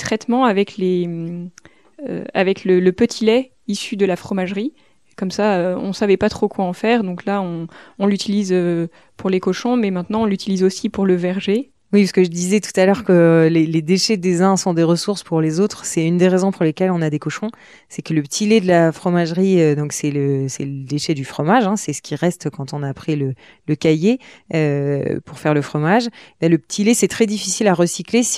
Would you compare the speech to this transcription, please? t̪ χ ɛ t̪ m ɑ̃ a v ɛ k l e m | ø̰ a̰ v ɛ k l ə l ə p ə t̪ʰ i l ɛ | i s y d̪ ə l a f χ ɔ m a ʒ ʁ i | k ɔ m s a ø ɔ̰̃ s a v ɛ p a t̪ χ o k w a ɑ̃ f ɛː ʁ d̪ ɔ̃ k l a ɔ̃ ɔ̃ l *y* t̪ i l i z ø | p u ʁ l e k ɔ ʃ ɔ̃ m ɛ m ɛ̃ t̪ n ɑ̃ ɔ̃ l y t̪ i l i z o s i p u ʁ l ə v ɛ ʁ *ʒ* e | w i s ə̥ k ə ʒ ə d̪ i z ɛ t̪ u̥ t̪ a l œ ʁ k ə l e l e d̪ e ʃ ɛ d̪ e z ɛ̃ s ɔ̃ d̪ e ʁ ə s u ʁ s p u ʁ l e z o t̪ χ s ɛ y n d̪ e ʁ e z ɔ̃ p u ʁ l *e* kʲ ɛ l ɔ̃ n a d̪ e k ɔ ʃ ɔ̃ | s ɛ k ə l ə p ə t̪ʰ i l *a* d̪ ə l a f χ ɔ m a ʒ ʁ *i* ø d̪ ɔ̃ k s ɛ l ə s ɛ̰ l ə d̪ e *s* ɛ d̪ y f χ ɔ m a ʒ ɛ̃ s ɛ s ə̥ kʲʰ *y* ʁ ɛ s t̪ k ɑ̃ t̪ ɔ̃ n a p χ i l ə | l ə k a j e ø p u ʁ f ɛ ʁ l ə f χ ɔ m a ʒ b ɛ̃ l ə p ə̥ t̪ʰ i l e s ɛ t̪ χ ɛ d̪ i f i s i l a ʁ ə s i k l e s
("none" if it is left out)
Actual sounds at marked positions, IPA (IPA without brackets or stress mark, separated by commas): y, ʒ, e, e, i, ʃ, i